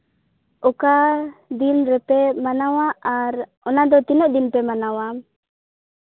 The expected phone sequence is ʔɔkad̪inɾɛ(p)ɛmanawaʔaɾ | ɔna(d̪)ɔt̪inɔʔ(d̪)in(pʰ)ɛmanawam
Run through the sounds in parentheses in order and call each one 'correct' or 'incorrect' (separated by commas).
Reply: correct, correct, correct, incorrect